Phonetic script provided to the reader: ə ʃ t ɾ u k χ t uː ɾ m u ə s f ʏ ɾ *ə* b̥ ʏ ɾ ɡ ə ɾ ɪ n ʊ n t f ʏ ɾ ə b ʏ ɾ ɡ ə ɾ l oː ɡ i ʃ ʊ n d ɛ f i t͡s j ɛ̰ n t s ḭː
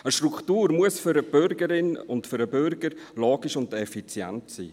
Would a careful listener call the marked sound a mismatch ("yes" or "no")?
no